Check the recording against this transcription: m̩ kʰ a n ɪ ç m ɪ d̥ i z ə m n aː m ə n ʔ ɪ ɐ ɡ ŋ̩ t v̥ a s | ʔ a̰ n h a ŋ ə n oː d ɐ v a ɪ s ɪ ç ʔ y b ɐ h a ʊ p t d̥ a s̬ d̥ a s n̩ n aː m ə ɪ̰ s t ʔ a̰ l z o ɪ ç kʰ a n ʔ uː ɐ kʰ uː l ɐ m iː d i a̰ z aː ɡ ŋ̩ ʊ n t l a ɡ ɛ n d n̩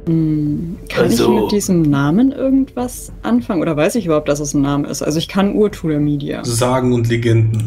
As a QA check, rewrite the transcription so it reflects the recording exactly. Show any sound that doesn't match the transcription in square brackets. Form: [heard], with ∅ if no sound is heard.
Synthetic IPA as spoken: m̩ kʰ a n ɪ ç m ɪ d̥ [iː] z ə m n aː m ə n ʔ ɪ ɐ ɡ ŋ̩ t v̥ a s | ʔ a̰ n [f] a ŋ ə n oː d ɐ v a ɪ s ɪ ç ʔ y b ɐ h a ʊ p t d̥ a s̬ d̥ a s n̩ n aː m ə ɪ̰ s t ʔ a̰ l z o ɪ ç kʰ a n ʔ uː ɐ [tʰ] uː l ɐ m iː d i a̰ z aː ɡ ŋ̩ ʊ n t l [e] ɡ ɛ n d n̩